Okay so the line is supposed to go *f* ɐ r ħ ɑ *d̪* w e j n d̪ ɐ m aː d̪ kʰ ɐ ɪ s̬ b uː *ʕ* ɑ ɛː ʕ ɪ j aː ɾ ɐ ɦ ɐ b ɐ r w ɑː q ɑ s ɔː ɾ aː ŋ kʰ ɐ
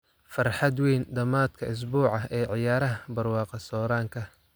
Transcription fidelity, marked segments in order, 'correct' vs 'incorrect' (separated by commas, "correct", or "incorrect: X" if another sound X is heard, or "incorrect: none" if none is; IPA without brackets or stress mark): correct, correct, correct